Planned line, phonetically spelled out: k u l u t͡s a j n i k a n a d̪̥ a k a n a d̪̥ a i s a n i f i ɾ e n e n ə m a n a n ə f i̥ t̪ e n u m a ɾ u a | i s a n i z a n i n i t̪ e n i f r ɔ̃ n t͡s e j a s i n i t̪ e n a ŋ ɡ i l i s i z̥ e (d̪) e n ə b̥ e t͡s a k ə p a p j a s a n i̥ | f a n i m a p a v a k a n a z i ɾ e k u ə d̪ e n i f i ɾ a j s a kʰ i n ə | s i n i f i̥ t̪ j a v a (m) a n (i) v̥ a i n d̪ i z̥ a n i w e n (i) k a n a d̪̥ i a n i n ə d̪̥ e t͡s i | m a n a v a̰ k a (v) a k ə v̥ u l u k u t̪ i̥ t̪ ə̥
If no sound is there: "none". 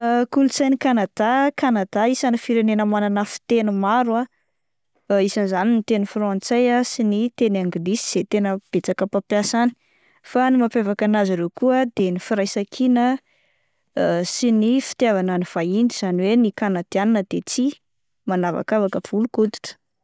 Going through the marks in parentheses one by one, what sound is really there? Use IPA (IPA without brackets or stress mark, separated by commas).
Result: t̪, n, i, i, v